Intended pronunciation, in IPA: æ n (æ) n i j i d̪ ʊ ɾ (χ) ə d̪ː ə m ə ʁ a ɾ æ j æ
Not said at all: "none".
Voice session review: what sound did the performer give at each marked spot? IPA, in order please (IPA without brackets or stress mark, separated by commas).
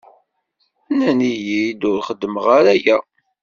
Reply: æ, χ